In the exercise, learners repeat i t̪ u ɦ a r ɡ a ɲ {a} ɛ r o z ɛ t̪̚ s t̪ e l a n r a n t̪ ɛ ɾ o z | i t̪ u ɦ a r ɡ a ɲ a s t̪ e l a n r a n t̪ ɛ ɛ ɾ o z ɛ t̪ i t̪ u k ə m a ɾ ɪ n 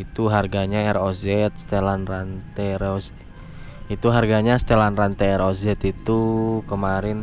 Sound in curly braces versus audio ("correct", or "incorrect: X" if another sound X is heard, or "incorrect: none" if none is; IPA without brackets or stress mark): correct